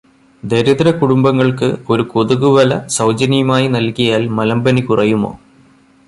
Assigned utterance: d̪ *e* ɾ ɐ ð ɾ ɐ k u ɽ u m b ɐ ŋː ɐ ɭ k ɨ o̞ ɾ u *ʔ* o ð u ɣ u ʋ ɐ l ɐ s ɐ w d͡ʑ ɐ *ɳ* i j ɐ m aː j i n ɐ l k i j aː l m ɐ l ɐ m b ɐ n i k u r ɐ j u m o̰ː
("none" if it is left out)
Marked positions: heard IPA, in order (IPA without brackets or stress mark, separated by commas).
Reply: e, k, n